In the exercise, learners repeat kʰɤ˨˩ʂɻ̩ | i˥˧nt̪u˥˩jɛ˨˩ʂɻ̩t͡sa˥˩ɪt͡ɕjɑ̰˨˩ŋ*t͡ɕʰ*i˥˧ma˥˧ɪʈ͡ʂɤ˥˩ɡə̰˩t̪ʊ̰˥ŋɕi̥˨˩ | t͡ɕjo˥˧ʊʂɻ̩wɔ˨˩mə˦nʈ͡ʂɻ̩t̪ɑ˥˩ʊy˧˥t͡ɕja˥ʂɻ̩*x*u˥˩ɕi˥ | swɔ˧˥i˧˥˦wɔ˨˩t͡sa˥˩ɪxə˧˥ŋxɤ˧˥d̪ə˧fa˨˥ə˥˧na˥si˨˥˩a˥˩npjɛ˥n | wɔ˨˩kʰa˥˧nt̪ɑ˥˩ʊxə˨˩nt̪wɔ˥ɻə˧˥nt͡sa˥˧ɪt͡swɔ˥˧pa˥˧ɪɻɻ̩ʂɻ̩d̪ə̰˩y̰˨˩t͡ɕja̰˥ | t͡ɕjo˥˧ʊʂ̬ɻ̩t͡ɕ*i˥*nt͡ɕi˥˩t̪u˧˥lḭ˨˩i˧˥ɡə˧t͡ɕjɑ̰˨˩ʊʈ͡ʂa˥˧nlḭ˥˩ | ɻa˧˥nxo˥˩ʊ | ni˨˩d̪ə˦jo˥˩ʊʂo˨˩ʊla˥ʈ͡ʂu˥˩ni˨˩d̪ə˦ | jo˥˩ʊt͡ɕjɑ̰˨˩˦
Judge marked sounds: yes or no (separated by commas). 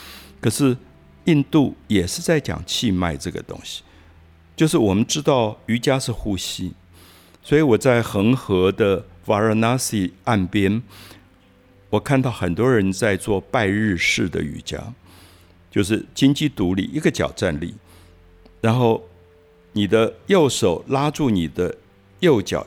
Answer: yes, yes, yes